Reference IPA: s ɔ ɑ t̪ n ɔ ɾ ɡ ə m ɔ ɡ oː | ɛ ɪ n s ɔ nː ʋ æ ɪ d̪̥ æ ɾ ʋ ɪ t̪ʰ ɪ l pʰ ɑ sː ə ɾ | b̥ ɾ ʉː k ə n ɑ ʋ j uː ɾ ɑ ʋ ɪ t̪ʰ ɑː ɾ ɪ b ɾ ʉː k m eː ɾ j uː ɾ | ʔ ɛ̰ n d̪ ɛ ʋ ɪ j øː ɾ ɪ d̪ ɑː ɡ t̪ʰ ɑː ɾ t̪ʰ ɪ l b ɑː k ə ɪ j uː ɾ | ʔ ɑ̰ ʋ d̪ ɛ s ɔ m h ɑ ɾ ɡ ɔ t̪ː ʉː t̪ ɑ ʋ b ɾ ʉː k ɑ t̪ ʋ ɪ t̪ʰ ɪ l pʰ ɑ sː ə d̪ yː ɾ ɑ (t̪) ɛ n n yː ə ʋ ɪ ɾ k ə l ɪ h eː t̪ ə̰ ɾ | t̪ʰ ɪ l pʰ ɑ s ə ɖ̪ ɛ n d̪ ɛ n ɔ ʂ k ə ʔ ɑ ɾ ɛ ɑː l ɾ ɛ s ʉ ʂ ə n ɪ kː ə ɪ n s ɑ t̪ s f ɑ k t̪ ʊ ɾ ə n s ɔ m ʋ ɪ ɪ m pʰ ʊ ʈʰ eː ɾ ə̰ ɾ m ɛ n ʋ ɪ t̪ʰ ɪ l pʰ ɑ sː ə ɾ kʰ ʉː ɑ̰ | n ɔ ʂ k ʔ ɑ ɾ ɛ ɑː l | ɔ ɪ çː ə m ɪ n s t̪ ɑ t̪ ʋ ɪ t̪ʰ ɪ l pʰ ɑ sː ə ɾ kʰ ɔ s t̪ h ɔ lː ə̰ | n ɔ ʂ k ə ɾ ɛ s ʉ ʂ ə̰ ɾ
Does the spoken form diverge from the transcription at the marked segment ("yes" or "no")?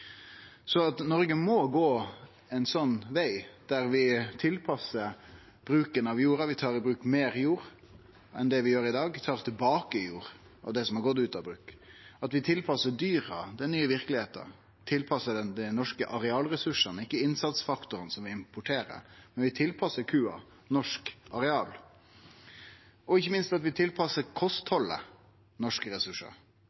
yes